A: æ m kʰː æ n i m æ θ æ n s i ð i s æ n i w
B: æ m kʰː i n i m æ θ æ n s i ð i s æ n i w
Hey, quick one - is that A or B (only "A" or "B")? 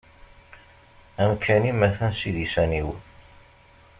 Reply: A